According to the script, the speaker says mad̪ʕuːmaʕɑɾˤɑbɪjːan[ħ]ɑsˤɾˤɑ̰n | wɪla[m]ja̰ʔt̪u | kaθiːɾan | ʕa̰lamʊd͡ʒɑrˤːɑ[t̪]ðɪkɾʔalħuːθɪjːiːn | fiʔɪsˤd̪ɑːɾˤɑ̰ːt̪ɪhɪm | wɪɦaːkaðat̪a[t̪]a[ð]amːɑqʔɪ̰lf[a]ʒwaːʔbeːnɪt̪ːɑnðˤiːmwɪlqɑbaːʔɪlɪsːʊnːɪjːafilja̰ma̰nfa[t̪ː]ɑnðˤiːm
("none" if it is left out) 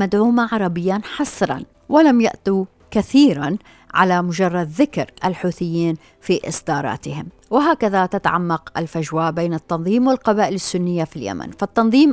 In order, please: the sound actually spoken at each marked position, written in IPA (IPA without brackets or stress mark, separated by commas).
ħ, m, d̪, t̪, ʕ, a, t̪ː